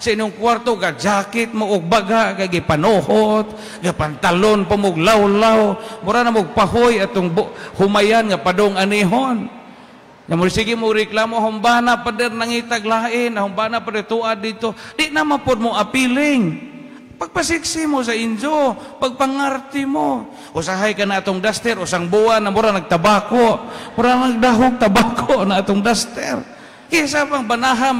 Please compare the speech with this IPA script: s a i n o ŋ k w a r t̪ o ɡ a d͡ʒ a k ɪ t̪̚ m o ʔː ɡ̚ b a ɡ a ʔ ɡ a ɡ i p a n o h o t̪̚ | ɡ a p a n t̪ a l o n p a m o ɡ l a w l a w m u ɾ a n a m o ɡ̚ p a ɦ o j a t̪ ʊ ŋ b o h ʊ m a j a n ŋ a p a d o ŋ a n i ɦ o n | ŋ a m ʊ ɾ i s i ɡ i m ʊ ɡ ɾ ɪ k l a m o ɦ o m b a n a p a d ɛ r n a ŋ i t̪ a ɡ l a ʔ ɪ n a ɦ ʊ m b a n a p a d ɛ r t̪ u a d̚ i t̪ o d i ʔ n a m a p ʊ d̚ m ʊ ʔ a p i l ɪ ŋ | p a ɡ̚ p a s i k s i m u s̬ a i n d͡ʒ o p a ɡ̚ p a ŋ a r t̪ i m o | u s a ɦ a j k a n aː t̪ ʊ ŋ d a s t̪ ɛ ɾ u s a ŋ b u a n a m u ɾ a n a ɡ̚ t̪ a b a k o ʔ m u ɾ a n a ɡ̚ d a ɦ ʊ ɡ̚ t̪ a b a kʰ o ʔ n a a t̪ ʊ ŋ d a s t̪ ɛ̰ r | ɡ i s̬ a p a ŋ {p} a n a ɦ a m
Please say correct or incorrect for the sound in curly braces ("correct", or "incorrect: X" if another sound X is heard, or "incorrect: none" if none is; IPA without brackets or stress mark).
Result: incorrect: b